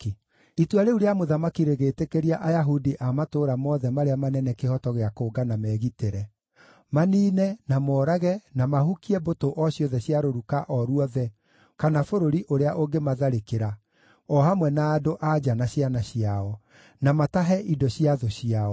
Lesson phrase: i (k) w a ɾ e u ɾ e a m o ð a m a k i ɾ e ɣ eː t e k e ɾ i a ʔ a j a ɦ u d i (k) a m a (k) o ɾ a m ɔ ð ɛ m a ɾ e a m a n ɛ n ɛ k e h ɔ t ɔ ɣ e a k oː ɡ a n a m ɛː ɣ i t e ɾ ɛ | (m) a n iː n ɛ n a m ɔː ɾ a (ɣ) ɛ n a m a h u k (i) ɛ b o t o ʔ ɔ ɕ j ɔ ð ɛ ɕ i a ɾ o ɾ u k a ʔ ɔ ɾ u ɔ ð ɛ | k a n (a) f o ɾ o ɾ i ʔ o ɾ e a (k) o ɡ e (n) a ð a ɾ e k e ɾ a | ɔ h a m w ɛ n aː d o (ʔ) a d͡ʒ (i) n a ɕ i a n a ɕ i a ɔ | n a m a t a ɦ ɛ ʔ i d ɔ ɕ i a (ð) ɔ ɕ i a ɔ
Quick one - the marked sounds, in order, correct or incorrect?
incorrect: t, incorrect: ʔ, incorrect: t, correct, correct, correct, correct, incorrect: ʔ, incorrect: m, correct, incorrect: a, correct

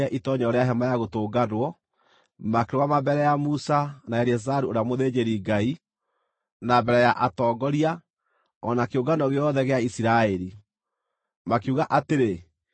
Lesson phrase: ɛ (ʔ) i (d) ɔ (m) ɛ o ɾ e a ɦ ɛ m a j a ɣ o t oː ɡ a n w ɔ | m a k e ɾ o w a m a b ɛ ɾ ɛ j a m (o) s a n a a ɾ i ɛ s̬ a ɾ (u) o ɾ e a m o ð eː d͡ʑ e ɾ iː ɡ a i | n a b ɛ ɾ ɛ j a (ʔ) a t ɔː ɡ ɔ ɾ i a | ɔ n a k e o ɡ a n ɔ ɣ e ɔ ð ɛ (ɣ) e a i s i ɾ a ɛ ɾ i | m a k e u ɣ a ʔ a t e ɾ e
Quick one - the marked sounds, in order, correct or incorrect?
correct, incorrect: t, incorrect: ɲ, incorrect: u, correct, correct, correct

